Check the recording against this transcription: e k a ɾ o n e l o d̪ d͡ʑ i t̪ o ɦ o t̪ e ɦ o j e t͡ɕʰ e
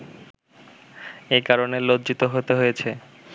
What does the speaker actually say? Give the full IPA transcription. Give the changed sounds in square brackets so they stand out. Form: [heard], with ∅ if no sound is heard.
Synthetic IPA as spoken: e k a ɾ o n e l o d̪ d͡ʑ i t̪ o ɦ o t̪ e ɦ o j e t͡ɕʰ e